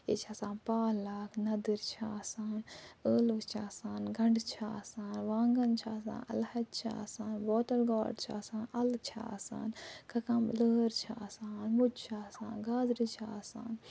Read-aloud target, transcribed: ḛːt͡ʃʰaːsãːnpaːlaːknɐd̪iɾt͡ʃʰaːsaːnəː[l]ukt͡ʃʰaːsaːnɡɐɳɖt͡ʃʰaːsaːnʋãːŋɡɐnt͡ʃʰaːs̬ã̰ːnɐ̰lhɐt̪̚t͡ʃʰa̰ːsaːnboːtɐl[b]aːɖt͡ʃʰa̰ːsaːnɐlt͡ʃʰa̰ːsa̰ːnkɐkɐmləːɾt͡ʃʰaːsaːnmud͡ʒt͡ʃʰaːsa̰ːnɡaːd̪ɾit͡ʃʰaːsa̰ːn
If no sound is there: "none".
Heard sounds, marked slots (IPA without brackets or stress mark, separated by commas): l, ɡ